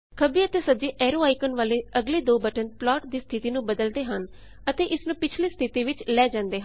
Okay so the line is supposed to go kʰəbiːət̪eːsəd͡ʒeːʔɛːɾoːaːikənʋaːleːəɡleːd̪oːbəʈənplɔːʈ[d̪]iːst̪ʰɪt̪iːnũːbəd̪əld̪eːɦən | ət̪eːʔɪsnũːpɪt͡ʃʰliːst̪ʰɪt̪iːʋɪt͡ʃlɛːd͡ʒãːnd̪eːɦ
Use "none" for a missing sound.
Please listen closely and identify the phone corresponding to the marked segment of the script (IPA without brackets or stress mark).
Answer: d̪